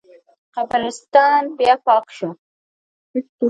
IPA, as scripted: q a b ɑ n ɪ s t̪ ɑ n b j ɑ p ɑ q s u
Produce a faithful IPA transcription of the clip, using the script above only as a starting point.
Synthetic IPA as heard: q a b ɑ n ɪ s t̪ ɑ n b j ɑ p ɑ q ʃ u

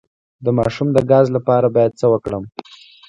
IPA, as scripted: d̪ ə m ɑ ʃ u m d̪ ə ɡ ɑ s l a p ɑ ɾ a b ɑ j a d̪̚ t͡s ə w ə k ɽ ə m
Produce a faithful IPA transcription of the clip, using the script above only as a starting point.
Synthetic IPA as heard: d̪ ə m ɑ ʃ u m d̪ ə ɡ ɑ z l a p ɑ ɾ a b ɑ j a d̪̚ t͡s ə w ə k ɽ ə m

